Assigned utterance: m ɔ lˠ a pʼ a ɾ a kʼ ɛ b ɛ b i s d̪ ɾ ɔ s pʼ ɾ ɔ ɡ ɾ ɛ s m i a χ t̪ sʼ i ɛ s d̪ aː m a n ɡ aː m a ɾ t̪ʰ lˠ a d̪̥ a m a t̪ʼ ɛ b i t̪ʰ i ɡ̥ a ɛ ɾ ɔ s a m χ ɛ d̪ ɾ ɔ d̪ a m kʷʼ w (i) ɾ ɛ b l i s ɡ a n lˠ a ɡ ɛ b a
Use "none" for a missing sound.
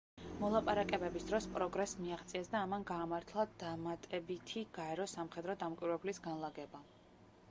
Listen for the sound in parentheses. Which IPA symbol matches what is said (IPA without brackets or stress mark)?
i